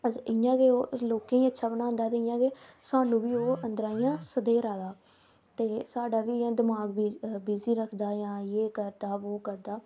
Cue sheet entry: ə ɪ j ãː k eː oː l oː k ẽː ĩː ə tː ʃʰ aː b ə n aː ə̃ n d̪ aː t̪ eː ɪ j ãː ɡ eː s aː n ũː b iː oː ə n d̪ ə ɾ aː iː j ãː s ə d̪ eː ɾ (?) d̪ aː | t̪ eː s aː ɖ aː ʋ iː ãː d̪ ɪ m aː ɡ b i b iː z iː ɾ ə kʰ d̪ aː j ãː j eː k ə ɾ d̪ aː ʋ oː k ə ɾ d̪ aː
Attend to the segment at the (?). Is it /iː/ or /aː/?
aː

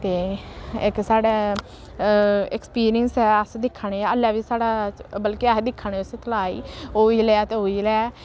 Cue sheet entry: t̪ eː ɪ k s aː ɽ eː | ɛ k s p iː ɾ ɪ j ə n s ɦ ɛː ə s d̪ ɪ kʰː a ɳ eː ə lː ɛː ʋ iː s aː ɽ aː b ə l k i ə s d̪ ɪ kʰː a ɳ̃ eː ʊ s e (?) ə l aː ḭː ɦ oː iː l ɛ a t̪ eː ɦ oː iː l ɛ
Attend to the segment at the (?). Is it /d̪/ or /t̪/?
t̪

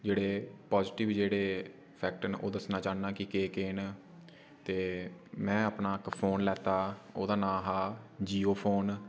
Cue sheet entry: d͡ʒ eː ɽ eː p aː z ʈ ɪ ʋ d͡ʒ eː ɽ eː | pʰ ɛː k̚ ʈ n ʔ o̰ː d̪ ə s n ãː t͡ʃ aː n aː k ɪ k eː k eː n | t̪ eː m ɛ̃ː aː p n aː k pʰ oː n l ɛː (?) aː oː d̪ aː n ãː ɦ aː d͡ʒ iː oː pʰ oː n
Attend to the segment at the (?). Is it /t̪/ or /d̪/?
t̪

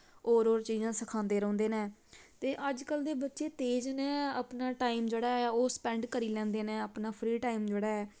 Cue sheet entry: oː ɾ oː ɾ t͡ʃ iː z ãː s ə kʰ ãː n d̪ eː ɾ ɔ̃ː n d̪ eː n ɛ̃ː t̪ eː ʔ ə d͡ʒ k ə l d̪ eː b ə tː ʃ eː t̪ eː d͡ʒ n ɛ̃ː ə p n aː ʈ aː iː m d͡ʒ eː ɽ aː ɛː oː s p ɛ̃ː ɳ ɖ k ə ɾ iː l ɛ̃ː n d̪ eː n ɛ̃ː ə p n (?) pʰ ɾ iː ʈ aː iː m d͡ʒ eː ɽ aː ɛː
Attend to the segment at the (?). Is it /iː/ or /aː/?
aː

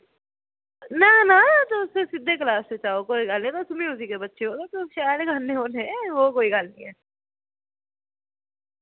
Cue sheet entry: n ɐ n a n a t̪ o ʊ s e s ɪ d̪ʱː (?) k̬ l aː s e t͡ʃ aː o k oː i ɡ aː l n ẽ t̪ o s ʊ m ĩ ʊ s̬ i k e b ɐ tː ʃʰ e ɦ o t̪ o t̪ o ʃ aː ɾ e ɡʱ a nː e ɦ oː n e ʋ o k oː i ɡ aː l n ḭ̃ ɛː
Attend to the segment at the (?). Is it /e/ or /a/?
e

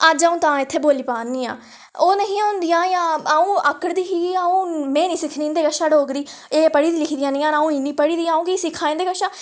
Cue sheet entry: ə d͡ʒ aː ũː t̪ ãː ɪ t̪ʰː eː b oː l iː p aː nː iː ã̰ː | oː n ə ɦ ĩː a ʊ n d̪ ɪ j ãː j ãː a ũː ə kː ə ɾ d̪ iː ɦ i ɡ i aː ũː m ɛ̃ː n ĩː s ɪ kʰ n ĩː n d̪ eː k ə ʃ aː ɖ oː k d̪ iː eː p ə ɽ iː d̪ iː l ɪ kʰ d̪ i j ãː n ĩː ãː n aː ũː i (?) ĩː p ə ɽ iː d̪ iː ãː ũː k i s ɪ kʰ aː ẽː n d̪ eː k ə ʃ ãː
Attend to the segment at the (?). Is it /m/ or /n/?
n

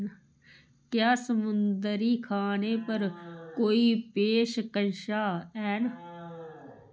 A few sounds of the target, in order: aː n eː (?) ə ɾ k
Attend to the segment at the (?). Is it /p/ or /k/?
p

